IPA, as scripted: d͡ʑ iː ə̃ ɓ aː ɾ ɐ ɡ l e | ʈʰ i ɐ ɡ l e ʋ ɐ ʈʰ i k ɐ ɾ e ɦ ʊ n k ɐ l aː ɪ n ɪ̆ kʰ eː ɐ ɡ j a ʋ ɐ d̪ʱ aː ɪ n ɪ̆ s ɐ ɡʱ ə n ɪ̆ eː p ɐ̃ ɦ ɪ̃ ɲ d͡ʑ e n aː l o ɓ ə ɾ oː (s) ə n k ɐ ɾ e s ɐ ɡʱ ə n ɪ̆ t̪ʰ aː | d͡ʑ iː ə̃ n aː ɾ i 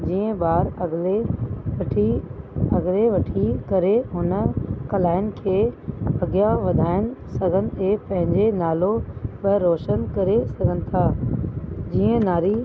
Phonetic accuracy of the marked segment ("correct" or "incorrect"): incorrect